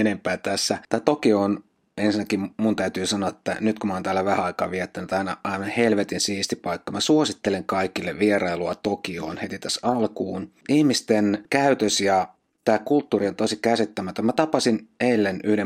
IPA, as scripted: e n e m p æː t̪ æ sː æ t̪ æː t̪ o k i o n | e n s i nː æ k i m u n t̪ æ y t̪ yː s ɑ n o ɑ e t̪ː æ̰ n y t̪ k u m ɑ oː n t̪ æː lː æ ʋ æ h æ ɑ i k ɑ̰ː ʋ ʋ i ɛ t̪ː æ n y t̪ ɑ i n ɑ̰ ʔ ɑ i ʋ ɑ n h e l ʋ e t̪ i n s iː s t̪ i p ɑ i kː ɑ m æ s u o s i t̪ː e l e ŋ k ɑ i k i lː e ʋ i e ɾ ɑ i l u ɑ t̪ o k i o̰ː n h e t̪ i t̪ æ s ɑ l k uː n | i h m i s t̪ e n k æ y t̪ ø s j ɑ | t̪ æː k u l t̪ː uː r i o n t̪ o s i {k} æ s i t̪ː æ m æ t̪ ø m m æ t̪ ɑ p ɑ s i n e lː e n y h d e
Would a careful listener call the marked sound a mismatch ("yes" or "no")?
no